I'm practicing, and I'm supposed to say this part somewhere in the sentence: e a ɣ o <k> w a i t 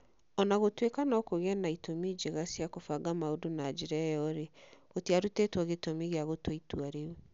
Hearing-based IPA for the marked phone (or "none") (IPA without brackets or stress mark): t